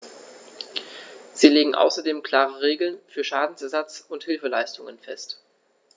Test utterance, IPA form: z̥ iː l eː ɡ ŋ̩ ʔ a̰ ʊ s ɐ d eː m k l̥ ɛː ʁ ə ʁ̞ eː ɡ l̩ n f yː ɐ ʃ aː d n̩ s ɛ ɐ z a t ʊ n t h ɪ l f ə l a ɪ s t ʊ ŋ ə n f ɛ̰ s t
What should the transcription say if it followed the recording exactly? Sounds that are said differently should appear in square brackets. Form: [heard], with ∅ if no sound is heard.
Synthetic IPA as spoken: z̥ iː l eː ɡ ŋ̩ ʔ a̰ ʊ s ɐ d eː m k l̥ [aː] ʁ ə ʁ̞ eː ɡ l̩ n f yː ɐ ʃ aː d n̩ s ɛ ɐ z a [t͡s] ʊ n t h ɪ l f ə l a ɪ s t ʊ ŋ ə n f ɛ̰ s t